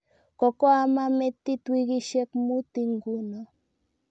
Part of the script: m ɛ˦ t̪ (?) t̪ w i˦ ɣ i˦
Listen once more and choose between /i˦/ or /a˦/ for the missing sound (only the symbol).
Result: i˦